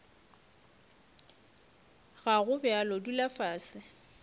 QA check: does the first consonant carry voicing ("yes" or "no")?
yes